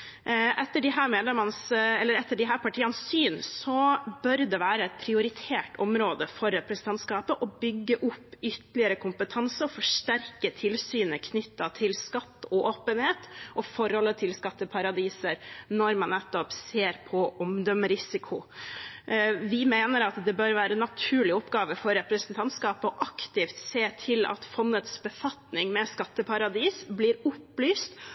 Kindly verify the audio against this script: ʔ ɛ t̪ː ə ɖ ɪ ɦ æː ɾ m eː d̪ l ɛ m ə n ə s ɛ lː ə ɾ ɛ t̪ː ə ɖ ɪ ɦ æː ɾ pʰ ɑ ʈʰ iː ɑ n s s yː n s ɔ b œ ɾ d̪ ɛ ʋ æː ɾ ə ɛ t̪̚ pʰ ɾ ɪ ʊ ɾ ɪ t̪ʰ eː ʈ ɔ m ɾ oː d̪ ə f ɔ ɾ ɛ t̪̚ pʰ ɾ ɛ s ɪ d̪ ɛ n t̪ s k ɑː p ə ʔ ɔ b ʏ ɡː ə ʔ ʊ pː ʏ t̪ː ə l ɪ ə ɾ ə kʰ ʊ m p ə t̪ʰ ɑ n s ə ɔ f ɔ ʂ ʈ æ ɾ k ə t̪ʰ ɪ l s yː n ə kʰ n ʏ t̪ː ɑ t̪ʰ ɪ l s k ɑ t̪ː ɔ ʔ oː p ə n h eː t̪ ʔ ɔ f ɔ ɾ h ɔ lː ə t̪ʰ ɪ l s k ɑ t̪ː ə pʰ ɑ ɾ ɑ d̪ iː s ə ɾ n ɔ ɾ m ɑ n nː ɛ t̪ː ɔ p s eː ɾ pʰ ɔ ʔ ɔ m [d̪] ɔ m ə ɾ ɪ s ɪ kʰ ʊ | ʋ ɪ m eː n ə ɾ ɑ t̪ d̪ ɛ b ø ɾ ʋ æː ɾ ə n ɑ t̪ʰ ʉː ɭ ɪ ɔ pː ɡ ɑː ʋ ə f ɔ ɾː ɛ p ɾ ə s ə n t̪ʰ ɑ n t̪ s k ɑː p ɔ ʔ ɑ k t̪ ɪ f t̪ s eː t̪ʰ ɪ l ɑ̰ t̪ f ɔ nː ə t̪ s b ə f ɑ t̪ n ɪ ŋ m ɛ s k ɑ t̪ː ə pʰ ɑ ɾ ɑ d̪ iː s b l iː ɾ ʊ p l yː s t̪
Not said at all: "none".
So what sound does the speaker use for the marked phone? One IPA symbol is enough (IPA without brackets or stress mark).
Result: d̪